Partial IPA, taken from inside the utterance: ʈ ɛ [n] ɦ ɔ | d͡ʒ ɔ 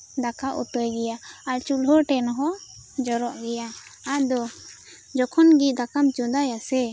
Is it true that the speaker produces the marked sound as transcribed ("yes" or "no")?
yes